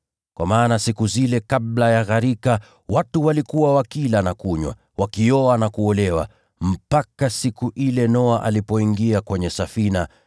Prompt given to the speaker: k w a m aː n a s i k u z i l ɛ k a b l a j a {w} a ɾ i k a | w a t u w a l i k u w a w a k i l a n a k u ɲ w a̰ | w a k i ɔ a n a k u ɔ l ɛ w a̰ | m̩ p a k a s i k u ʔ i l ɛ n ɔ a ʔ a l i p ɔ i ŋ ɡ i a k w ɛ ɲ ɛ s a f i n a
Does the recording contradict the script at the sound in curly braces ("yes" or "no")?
yes